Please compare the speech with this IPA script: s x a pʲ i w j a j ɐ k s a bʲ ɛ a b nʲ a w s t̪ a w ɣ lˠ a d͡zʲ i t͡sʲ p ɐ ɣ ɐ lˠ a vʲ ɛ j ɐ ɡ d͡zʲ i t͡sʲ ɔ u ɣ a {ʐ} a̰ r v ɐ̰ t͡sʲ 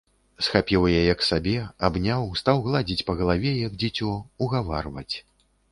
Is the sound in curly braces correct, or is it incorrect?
incorrect